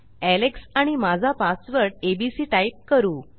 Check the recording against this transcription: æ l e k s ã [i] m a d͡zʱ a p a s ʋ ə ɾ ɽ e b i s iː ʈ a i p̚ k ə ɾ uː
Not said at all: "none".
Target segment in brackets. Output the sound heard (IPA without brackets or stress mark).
i